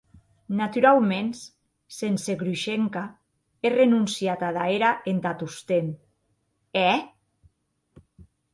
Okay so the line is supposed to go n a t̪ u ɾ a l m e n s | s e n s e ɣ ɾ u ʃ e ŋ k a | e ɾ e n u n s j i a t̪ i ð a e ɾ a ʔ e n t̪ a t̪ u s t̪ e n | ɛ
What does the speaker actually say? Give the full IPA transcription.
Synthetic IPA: n a t̪ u ɾ a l m e n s | s e n s e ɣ ɾ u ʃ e ŋ k a | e r e n u n s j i a t̪ a ð a e ɾ a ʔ e n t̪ a t̪ u s t̪ e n | ɛ

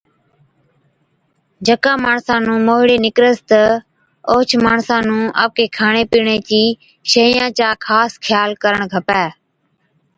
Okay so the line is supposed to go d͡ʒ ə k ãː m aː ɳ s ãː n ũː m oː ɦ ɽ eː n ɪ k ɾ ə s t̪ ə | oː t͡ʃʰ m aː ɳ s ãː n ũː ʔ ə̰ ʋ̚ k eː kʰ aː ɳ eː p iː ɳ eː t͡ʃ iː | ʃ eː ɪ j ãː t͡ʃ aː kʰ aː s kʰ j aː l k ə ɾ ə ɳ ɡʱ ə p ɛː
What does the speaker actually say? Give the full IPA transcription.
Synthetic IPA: d͡ʒ ə k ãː m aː ɳ s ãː n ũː m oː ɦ ɽ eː n ɪ k ɾ ə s t̪ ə | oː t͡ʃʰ m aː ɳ s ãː n ũː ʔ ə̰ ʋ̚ k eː kʰ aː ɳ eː p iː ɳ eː t͡ʃ iː | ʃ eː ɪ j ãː t͡ʃ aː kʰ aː s kʰ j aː l k ə ɾ ə ɳ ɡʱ ə p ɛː

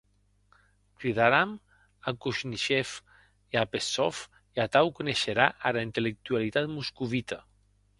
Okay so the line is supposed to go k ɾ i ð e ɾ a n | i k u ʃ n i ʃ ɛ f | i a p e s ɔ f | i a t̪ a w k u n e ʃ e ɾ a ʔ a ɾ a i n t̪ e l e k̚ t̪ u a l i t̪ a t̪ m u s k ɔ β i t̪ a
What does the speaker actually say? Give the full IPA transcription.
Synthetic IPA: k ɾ i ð a ɾ a m | a k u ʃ n i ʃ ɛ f | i a p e s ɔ f | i a t̪ a w k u n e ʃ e ɾ a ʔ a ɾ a i n t̪ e l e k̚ t̪ u a l i t̪ a t̪ m u s k u β i t̪ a

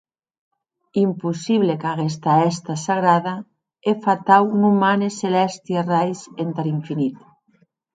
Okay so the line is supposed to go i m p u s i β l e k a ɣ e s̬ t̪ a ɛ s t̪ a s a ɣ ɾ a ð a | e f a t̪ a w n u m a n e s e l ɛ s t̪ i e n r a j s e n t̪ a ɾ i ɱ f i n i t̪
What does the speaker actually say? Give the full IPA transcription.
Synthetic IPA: i m p u s i β l e k a ɣ e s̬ t̪ a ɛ s t̪ a s a ɣ ɾ a ð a | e f a t̪ a w n u m a n e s e l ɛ s t̪ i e r a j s e n t̪ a ɾ i ɱ f i n i t̪

